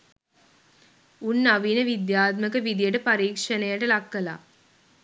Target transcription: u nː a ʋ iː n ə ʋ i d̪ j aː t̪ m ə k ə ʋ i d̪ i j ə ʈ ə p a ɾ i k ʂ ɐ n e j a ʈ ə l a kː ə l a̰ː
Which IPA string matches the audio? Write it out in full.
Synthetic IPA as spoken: u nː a ʋ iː n ə ʋ i d̪ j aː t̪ m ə k ə ʋ i d̪ i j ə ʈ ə p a ɾ iː k ʂ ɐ n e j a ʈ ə l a kː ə l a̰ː